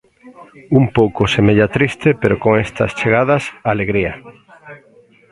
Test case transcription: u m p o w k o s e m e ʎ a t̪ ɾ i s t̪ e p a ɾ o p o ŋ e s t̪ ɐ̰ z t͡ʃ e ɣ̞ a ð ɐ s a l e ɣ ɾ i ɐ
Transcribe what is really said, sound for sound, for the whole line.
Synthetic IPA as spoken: u m p o w k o s e m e ʎ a t̪ ɾ i s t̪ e p e ɾ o k o ŋ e s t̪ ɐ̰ s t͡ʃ e ɣ̞ a ð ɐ s a l e ɣ ɾ i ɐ

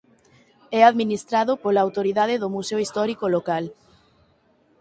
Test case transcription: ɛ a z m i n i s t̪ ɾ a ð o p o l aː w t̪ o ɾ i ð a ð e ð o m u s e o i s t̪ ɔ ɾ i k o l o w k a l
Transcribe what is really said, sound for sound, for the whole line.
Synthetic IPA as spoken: ɛ a ð m i n i s t̪ ɾ a ð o p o l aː w t̪ o ɾ i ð a ð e ð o m u s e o i s t̪ ɔ ɾ i k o l o k a l

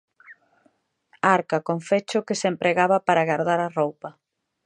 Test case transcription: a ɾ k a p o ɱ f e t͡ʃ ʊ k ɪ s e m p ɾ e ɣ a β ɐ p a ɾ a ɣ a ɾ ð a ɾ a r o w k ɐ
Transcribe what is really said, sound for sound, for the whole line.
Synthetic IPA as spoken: a ɾ k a k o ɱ f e t͡ʃ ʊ k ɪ s e m p ɾ e ɣ a β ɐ p a ɾ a ɣ a ɾ ð a ɾ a r o w p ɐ

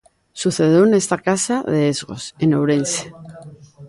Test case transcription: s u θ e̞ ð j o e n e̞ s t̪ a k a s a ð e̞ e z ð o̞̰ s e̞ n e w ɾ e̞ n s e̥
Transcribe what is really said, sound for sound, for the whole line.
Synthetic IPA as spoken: s u θ e̞ ð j o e n e̞ s t̪ a k a s a ð e̞ e z ɣ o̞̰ s e̞ n e w ɾ e̞ n s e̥

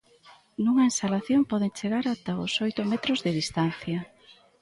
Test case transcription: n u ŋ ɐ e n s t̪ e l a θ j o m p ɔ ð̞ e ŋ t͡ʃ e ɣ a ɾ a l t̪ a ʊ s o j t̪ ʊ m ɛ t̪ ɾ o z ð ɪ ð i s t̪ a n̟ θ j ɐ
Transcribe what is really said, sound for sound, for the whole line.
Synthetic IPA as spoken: n u ŋ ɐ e n s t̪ a l a θ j o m p ɔ ð̞ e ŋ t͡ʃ e ɣ a ɾ a t̪ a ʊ s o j t̪ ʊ m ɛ t̪ ɾ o z ð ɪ ð i s t̪ a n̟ θ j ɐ

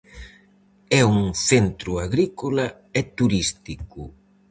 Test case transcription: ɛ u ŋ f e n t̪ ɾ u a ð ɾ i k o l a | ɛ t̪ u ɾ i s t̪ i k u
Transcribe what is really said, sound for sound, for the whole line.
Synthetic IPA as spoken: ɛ u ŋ θ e n t̪ ɾ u a ɣ ɾ i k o l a | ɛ t̪ u ɾ i s t̪ i k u

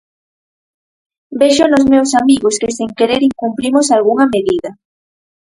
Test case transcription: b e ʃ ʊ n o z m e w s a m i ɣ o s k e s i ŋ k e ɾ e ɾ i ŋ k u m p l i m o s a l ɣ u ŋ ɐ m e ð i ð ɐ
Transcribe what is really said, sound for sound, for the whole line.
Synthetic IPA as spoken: b e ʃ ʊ n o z m e w s a m i ɣ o s k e s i ŋ k e ɾ e ɾ i ŋ k u m p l i m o s a l ɣ u ŋ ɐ m e ð i ð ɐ

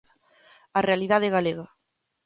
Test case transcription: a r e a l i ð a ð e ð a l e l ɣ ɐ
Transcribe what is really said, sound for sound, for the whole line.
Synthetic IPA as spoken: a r e a l i ð a ð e ɣ a l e ɣ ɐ

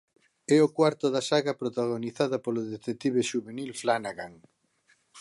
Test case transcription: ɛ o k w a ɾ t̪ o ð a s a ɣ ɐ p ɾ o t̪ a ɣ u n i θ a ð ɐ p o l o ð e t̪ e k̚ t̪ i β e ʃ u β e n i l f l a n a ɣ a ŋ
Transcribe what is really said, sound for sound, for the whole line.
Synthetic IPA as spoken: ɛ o k w a ɾ t̪ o ð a s a ɣ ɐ p ɾ o t̪ a ɣ o n i θ a ð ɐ p o l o ð e t̪ e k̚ t̪ i β e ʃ u β e n i l f l a n a ɣ a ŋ

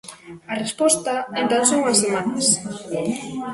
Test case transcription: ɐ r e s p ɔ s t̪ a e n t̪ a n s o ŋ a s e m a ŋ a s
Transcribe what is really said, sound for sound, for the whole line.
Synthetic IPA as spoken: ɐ r e s p ɔ s t̪ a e n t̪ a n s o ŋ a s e m a n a s

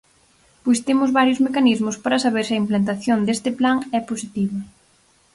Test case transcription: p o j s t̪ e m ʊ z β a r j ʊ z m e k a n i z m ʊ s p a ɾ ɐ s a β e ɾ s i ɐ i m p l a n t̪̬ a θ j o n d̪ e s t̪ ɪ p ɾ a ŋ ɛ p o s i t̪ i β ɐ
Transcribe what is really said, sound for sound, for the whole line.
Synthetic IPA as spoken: p o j s t̪ e m ʊ z β a ɾ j ʊ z m e k a n i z m ʊ s p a ɾ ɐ s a β e ɾ s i ɐ i m p l a n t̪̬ a θ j o n d̪ e s t̪ ɪ p l a ŋ ɛ p o s i t̪ i β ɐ

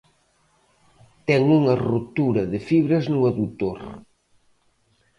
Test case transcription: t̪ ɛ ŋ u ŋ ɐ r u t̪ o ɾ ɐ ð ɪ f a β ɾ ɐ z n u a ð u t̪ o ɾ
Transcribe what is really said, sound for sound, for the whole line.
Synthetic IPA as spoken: t̪ ɛ ŋ u ŋ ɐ r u t̪ u ɾ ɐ ð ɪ f i β ɾ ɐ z n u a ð u t̪ o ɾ

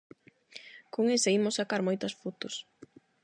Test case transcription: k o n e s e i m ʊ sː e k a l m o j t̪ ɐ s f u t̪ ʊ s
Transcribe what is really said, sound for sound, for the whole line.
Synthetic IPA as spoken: k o ŋ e s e i m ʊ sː a k a ɾ m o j t̪ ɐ s f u t̪ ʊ s

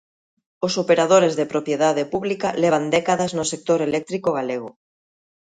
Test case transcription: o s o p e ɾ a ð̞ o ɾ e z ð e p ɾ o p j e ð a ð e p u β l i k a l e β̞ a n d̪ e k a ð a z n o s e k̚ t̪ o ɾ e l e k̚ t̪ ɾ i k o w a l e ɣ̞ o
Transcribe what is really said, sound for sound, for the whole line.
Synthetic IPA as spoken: o s o p e ɾ a ð̞ o ɾ e z ð e p ɾ o p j e ð a ð e p u β l i k a l e β̞ a n d̪ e k a ð a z n o s e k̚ t̪ o ɾ e l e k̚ t̪ ɾ i k o ɣ a l e ɣ̞ o

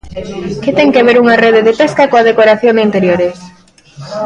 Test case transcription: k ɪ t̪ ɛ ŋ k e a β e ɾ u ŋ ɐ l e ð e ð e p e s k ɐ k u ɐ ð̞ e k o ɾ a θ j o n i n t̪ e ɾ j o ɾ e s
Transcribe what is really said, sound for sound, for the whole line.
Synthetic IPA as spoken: k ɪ t̪ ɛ ŋ k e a β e ɾ u ŋ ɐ r e ð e ð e p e s k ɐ k o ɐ ð̞ e k o ɾ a θ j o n i n t̪ e ɾ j o ɾ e s

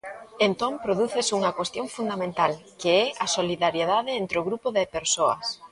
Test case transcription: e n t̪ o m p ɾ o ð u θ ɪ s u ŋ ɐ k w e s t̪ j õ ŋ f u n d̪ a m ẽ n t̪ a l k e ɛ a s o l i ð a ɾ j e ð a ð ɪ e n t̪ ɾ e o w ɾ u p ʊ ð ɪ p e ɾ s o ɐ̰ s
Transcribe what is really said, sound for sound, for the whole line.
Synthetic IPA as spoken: e n t̪ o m p ɾ o ð u θ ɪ s u ŋ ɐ k w e s t̪ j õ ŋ f u n d̪ a m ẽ n t̪ a l k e ɛ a s o l i ð a ɾ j e ð a ð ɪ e n t̪ ɾ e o ɣ ɾ u p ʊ ð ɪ p e ɾ s o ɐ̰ s

